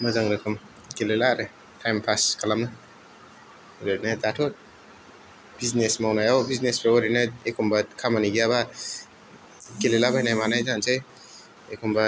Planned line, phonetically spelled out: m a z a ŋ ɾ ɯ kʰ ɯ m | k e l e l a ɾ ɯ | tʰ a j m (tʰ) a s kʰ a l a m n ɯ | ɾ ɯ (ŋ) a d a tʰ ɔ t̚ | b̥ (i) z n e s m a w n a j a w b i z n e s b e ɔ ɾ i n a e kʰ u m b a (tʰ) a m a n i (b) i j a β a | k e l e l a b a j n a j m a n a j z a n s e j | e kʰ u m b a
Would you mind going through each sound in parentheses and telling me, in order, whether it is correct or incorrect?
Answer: incorrect: pʰ, incorrect: n, correct, incorrect: kʰ, incorrect: ɡ

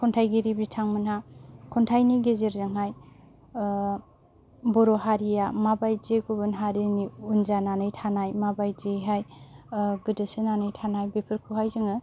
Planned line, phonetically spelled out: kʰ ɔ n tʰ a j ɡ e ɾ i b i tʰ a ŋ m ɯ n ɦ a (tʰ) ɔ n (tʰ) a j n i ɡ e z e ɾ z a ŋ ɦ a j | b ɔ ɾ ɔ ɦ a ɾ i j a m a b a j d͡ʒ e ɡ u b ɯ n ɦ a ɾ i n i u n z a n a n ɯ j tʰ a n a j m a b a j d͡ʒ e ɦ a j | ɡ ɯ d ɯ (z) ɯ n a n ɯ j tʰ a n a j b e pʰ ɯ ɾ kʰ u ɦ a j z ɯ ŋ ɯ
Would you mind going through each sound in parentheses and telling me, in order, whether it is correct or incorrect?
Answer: incorrect: kʰ, correct, incorrect: s

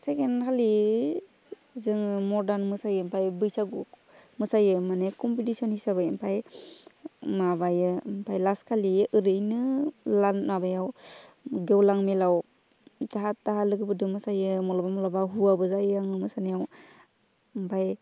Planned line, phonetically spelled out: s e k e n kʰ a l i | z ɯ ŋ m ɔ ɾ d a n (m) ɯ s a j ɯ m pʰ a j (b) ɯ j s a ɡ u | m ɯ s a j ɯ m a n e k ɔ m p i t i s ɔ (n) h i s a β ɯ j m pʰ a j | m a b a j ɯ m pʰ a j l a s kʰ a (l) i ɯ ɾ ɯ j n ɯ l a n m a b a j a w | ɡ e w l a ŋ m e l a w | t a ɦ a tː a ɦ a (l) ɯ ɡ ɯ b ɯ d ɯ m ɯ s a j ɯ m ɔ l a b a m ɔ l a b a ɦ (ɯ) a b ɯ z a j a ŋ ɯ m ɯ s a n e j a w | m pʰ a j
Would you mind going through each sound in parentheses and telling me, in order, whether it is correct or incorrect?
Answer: correct, correct, correct, correct, correct, incorrect: u

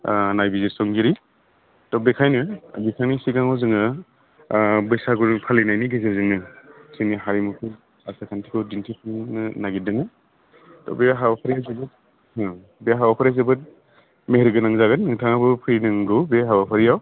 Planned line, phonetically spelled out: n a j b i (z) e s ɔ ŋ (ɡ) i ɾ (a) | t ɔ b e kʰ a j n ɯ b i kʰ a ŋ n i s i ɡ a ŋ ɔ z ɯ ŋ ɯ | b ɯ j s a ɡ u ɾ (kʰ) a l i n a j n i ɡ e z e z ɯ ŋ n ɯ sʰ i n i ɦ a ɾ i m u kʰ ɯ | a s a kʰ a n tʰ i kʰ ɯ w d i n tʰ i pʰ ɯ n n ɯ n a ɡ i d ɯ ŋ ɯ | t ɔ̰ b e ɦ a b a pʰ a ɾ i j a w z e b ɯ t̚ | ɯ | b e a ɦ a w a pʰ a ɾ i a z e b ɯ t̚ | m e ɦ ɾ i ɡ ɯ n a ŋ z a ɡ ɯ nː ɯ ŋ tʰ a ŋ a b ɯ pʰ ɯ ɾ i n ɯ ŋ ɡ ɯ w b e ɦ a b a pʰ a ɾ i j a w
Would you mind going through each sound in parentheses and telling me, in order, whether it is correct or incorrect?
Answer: correct, correct, incorrect: i, incorrect: pʰ

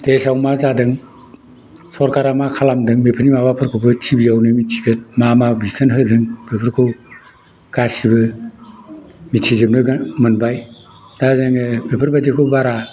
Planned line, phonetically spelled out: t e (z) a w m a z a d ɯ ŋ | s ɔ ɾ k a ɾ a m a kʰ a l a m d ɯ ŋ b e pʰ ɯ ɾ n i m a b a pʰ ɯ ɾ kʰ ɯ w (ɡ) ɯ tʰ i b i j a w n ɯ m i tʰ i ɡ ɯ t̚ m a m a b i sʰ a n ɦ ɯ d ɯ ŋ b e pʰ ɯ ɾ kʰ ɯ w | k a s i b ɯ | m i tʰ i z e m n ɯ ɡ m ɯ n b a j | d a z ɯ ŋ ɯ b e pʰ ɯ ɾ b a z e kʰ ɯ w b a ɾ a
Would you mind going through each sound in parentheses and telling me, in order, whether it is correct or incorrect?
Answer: incorrect: s, incorrect: b

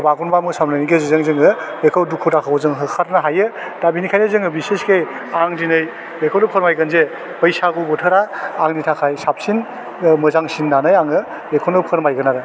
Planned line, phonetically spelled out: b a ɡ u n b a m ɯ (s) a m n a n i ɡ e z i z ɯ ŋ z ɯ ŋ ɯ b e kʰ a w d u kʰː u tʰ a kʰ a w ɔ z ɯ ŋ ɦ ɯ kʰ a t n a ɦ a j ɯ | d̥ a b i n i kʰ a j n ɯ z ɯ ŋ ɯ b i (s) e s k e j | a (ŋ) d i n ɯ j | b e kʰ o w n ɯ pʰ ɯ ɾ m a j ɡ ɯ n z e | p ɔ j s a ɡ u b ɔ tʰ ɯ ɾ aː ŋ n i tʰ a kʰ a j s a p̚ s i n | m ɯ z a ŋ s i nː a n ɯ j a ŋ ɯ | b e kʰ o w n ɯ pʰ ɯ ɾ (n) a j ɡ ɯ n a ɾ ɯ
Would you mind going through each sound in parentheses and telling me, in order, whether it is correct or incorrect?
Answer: correct, correct, correct, incorrect: m

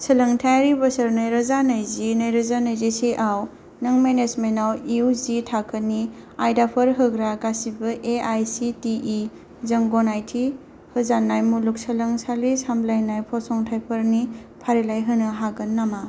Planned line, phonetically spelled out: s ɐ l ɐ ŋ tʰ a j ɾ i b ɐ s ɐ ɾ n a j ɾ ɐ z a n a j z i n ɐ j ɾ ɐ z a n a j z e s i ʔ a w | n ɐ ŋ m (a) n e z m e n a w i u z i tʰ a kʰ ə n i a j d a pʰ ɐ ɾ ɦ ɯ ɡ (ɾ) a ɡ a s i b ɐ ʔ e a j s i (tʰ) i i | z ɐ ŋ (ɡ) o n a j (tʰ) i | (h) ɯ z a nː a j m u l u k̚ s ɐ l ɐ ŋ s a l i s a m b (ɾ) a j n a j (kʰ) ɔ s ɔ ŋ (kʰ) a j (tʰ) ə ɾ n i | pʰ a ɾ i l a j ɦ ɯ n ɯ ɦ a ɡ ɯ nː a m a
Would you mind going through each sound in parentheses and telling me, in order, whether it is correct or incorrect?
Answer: incorrect: e, correct, incorrect: t, correct, correct, correct, incorrect: l, incorrect: pʰ, incorrect: tʰ, incorrect: pʰ

